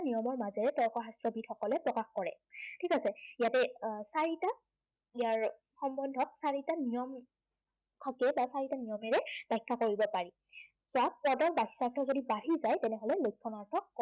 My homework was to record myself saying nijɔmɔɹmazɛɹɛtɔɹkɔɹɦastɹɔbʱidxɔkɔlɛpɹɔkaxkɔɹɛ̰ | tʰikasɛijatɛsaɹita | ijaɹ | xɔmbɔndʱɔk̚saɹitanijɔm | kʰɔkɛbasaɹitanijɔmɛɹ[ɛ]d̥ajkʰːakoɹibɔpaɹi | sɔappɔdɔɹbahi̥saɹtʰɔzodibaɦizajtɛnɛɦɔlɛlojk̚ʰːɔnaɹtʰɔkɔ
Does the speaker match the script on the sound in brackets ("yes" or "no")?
yes